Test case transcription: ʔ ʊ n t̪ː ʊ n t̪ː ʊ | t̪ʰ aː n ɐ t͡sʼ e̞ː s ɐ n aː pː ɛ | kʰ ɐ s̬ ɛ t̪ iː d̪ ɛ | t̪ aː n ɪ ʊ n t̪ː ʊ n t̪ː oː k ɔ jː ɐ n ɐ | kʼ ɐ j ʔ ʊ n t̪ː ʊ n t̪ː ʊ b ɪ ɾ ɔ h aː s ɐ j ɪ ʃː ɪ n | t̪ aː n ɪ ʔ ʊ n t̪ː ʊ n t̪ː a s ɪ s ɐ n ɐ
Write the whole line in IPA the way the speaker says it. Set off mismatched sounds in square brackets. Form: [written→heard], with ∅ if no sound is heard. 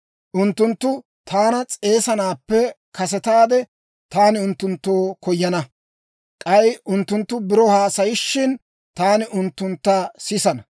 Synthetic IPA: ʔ ʊ n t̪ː ʊ n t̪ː ʊ | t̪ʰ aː n ɐ t͡sʼ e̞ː s ɐ n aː pː ɛ | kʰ ɐ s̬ ɛ t̪ [iː→aː] d̪ ɛ | t̪ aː n ɪ ʊ n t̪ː ʊ n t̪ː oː k ɔ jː ɐ n ɐ | kʼ ɐ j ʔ ʊ n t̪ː ʊ n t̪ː ʊ b ɪ ɾ ɔ h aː s ɐ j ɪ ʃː ɪ n | t̪ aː n ɪ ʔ ʊ n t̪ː ʊ n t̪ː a s ɪ s ɐ n ɐ